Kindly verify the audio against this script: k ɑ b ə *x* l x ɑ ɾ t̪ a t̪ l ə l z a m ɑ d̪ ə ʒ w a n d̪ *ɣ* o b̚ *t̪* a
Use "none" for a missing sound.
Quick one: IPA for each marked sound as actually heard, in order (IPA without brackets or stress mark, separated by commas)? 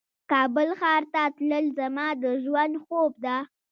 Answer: none, x, d̪